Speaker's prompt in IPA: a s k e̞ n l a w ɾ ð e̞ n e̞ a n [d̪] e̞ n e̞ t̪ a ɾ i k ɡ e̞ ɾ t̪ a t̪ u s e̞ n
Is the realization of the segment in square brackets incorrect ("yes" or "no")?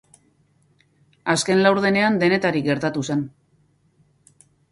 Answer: no